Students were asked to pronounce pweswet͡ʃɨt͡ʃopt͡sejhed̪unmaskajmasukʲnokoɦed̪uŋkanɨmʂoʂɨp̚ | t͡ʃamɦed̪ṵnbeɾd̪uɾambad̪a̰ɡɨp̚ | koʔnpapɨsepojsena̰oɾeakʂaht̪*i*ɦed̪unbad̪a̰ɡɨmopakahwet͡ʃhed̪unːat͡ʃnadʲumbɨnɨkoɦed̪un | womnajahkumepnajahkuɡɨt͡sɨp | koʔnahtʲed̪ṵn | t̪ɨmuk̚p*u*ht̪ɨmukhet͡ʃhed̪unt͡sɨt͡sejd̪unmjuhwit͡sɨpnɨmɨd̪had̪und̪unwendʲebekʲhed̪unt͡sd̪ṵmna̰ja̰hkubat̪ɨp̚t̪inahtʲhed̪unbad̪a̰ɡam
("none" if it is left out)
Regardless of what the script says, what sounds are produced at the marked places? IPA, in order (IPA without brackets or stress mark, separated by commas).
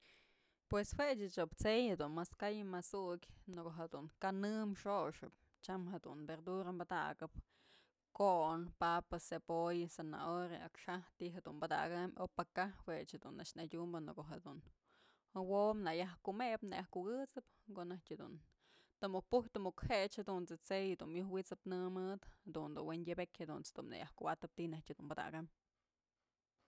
i, u